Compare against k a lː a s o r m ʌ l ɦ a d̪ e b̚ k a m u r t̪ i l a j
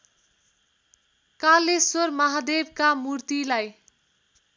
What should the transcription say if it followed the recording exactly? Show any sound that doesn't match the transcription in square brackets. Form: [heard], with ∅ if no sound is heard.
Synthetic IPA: k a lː [e] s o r m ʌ [∅] ɦ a d̪ e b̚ k a m u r t̪ i l a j